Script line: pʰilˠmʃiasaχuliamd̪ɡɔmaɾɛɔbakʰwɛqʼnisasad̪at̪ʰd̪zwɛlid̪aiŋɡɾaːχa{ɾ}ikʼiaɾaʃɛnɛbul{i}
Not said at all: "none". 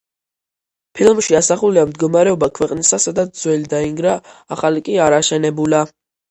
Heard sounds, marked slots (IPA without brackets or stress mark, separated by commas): l, a